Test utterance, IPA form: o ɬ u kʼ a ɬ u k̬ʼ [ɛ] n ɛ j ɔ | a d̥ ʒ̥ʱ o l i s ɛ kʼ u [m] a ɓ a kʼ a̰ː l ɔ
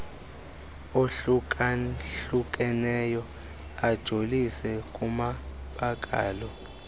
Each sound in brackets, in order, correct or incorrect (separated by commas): correct, correct